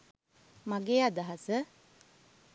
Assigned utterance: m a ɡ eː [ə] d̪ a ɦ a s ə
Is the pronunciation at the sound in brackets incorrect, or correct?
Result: incorrect